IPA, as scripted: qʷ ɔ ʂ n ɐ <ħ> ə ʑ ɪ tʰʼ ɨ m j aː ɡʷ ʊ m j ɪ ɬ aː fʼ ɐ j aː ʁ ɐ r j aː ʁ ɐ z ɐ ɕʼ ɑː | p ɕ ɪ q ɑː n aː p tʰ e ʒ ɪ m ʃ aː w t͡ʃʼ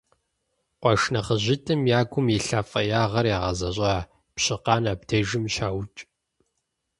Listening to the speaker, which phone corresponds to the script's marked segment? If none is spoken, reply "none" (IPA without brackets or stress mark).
χ